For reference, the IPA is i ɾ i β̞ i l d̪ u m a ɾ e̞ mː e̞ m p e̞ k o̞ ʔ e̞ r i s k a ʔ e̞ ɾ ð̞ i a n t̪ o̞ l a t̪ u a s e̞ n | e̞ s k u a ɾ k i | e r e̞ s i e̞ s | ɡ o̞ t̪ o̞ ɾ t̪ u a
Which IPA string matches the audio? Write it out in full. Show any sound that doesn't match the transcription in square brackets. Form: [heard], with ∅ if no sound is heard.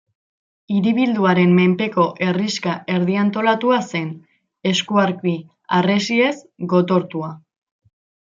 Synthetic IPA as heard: i ɾ i β̞ i l d̪ u [∅] a ɾ e̞ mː e̞ m p e̞ k o̞ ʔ e̞ r i s k a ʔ e̞ ɾ ð̞ i a n t̪ o̞ l a t̪ u a s e̞ n | e̞ s k u a ɾ k i | [a] r e̞ s i e̞ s | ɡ o̞ t̪ o̞ ɾ t̪ u a